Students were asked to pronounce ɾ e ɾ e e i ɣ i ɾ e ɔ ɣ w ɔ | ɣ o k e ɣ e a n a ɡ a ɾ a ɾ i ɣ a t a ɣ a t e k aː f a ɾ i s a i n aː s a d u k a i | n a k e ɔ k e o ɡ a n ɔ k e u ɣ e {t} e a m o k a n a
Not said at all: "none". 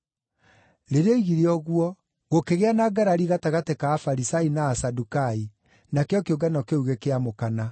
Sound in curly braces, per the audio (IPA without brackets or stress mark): k